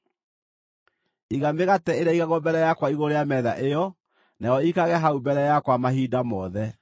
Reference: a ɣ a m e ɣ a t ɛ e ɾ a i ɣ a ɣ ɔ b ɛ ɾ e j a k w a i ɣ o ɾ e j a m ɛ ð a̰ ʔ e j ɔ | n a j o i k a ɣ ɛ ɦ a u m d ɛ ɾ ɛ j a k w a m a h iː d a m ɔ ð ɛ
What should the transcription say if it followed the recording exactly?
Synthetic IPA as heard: i ɣ a m e ɣ a t ɛ e ɾ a i ɣ a ɣ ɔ b ɛ ɾ ɛ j a k w a i ɣ o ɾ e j a m ɛ ð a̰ ʔ e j ɔ | n a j ɔ i k a ɣ ɛ ɦ a u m b ɛ ɾ ɛ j a k w a m a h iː d a m ɔ ð ɛ